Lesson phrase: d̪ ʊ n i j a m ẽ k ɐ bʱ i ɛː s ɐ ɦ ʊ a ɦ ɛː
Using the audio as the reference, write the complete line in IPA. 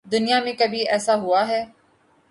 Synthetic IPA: d̪ ʊ n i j a m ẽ k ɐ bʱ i ɛː s a ɦ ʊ a ɦ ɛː